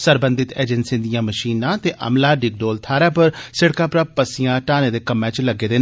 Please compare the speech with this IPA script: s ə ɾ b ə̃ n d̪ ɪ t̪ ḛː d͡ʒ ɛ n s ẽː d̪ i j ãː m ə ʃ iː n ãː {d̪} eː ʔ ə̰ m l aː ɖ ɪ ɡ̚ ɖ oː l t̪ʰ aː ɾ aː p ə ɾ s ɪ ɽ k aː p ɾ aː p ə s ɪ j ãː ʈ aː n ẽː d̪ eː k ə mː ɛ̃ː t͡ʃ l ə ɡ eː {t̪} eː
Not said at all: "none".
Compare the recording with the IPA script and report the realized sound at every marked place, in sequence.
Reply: t̪, d̪

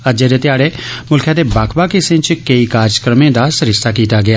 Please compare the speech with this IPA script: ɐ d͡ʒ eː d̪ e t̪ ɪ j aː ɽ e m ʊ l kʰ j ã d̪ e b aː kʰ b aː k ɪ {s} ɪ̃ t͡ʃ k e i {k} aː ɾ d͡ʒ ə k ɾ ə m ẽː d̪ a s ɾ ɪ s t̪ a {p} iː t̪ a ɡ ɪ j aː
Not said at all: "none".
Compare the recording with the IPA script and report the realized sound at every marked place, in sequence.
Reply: s, k, k

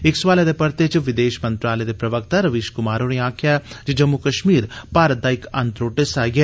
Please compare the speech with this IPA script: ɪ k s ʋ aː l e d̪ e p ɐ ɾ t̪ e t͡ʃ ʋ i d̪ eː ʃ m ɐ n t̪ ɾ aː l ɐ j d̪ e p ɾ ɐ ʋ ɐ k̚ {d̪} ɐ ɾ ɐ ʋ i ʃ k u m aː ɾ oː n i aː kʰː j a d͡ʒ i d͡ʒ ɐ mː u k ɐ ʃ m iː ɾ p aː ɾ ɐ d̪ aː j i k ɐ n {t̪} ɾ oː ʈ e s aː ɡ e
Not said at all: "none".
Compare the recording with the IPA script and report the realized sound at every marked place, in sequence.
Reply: t̪, t̪

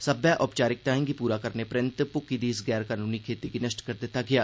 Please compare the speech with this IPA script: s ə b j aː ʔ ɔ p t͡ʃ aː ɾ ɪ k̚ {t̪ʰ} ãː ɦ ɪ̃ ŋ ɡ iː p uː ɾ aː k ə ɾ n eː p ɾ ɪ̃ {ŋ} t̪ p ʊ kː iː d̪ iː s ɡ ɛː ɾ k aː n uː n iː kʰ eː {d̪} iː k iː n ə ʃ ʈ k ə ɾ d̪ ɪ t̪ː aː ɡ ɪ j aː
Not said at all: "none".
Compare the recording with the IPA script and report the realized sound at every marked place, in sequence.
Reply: t̪, n, t̪

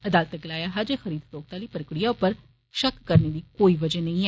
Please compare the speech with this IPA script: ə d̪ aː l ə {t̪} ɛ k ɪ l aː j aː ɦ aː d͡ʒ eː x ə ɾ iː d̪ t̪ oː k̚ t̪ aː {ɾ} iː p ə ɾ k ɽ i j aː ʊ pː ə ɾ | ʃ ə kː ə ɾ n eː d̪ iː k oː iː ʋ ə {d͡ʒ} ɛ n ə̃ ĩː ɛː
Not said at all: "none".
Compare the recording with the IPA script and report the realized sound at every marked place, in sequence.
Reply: t̪, l, d͡ʒ

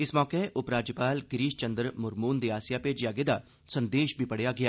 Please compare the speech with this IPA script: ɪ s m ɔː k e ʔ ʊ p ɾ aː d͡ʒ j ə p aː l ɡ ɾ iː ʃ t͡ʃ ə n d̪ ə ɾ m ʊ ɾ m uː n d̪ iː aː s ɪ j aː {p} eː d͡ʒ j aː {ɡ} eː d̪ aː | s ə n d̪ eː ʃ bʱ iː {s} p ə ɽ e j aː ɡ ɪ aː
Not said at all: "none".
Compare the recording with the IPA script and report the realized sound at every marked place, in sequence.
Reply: p, ɡ, none

